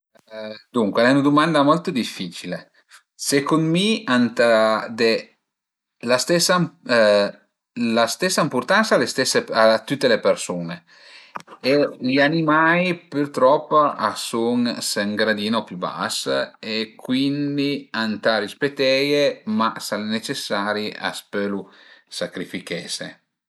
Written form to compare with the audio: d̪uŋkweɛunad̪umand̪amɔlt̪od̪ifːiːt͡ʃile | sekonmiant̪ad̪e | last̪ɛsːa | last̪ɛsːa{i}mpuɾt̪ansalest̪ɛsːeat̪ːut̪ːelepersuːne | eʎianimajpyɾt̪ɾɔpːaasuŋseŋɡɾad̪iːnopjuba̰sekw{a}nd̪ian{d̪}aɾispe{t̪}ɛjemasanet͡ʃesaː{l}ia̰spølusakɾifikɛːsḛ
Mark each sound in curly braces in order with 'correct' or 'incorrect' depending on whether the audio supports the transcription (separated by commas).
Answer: correct, incorrect, incorrect, correct, incorrect